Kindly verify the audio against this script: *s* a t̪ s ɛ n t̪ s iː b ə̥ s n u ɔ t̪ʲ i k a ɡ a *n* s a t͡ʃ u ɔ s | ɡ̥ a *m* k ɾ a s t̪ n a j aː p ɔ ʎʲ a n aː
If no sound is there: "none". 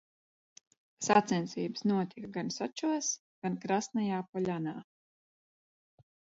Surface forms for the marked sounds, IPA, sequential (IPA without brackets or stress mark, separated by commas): s, n, n